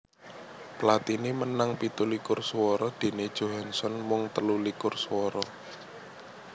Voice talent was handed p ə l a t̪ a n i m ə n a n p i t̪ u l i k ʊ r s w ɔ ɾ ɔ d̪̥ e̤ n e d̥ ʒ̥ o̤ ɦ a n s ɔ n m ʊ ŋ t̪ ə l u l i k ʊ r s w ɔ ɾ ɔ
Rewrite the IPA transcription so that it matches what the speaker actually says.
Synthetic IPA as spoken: p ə l a t̪ i n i m ə n a ŋ p i t̪ u l i k ʊ r s w ɔ ɾ ɔ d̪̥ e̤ n e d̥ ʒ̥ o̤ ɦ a n s ɔ n m ʊ ŋ t̪ ə l u l i k ʊ r s w ɔ ɾ ɔ